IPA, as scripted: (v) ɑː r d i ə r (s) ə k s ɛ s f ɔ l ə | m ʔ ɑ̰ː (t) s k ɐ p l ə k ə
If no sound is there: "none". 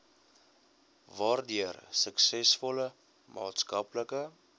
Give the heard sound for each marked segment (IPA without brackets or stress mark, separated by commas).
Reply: v, s, t